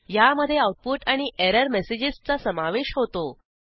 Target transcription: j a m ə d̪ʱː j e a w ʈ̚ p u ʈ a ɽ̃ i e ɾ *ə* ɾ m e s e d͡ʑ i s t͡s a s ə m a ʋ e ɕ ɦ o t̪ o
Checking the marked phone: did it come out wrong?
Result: no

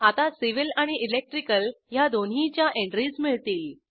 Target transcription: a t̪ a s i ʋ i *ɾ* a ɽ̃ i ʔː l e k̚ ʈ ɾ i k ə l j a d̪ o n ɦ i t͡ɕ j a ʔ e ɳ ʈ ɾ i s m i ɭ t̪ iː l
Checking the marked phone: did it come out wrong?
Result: yes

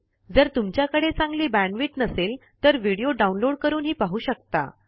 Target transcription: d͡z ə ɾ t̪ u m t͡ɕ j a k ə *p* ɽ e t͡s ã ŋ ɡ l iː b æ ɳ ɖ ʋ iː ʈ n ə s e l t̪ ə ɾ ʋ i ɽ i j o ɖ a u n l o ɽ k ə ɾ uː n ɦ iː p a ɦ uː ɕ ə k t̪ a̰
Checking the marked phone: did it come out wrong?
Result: yes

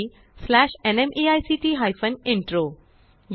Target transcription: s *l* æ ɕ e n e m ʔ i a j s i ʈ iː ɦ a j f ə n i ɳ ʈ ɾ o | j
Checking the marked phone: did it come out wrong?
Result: no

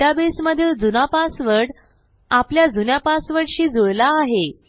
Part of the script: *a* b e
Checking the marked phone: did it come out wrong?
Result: no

